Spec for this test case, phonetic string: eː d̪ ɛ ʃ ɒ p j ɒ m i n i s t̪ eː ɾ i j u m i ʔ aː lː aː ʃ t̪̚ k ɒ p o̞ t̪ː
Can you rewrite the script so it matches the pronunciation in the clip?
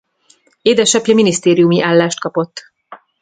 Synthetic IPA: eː d̪ ɛ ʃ ɒ p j ɒ m i n i s t̪ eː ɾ i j u m i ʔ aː lː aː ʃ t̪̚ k ɒ p o̞ t̪ː